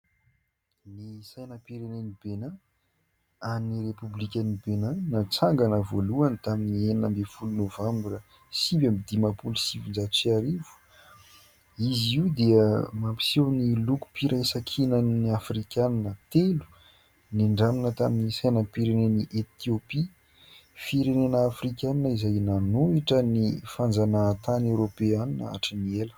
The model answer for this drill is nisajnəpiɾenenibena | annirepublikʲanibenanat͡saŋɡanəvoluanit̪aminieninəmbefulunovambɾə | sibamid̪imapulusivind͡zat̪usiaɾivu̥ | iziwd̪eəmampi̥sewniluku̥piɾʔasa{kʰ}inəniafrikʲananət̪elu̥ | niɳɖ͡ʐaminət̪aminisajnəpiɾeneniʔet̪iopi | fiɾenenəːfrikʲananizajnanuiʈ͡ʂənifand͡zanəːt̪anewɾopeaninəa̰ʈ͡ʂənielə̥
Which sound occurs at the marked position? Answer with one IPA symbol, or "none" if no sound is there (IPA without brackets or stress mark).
kʰ